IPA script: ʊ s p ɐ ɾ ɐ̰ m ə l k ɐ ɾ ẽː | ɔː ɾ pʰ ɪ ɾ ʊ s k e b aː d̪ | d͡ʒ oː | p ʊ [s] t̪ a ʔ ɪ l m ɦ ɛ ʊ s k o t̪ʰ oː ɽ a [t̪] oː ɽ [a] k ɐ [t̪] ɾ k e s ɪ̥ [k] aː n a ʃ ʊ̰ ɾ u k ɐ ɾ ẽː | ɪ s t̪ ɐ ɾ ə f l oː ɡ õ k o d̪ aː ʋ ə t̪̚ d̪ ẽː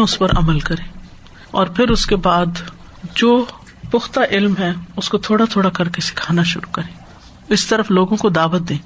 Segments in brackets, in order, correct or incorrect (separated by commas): incorrect, incorrect, correct, incorrect, incorrect